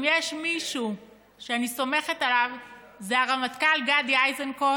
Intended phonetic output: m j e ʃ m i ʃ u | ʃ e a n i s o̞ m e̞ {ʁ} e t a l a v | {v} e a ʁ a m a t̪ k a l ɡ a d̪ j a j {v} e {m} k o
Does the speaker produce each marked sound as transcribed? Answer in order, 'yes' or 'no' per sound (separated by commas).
no, no, no, no